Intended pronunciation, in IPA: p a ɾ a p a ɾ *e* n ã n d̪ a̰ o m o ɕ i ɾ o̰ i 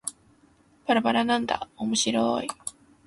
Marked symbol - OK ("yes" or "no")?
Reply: no